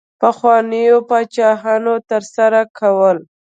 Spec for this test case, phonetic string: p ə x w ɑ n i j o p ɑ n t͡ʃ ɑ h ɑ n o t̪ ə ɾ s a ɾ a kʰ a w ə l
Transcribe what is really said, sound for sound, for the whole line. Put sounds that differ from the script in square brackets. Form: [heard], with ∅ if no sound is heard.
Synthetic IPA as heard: p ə x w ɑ n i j o p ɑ [∅] t͡ʃ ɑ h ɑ n o t̪ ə ɾ s a ɾ a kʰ a w ə l